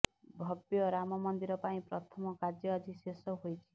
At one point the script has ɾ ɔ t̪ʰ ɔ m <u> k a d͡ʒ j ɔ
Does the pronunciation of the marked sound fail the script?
yes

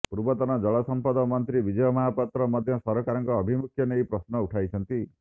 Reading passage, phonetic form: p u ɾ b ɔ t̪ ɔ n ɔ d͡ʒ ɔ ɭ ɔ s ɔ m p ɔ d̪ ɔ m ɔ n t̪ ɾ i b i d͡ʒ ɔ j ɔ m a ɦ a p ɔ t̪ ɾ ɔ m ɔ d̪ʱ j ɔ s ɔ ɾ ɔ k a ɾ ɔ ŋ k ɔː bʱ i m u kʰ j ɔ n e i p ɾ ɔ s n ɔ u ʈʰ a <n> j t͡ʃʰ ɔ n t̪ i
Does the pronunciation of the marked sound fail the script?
yes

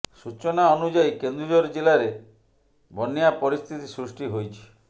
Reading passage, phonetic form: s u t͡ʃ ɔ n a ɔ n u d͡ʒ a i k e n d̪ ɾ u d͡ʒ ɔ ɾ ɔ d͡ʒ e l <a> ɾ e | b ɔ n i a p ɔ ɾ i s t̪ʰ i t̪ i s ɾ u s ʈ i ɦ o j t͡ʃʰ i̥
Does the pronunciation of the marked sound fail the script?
no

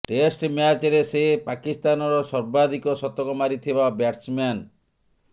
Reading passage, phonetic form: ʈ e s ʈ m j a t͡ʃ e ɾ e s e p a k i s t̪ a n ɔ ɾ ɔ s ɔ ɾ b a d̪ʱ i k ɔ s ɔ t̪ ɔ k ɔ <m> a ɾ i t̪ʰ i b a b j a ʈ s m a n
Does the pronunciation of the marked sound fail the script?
no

